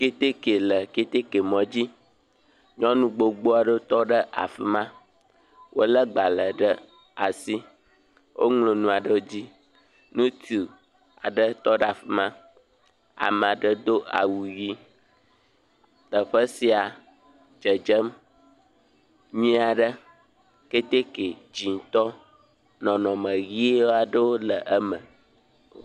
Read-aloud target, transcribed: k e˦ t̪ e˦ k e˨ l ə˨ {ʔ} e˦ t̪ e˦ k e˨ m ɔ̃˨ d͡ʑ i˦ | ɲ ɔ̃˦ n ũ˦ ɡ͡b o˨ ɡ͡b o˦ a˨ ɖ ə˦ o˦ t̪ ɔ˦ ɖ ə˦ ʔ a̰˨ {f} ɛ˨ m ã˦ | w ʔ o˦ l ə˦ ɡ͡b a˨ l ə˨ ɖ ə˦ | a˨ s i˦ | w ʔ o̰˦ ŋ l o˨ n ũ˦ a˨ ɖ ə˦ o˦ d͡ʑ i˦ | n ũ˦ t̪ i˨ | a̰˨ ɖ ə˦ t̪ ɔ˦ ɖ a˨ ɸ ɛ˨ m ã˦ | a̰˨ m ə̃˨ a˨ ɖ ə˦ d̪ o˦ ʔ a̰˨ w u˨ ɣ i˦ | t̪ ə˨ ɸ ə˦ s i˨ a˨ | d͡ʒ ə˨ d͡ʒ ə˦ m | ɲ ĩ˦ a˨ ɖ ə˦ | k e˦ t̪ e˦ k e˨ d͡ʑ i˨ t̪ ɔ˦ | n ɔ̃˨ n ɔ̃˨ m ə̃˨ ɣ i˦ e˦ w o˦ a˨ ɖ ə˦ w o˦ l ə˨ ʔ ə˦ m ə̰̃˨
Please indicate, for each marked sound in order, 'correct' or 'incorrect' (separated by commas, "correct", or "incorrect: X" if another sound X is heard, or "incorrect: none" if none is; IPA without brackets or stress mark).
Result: incorrect: k, correct